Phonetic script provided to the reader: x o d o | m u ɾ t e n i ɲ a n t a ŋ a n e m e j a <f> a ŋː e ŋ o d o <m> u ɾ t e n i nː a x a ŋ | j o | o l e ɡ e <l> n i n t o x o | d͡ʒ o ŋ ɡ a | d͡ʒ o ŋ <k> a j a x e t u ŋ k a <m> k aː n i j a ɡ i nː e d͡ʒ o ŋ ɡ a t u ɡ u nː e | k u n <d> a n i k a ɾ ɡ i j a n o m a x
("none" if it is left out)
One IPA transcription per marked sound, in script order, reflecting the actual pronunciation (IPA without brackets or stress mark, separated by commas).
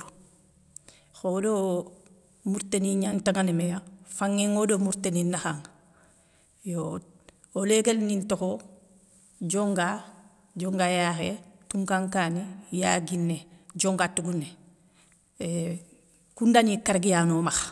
f, m, l, ɡ, ŋ, d